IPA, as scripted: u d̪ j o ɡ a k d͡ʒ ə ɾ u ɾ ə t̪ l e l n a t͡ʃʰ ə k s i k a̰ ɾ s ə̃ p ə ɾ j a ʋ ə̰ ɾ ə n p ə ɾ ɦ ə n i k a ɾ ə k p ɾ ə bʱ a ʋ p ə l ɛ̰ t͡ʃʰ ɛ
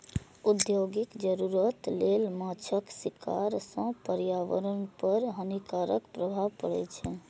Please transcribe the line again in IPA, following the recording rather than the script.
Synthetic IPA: u d̪ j o ɡ i k d͡ʒ ə ɾ u ɾ ə t̪ l e l m a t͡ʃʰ ə k s i k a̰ ɾ s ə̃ p ə ɾ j a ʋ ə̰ ɾ ə n p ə ɾ ɦ ə n i k a ɾ ə k p ɾ ə bʱ a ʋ p ə ɽ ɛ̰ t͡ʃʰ ɛ